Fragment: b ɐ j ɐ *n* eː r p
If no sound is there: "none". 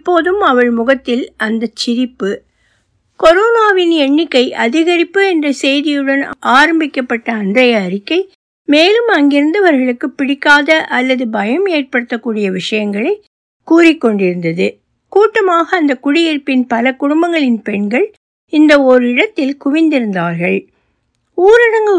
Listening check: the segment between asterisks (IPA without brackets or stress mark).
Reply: m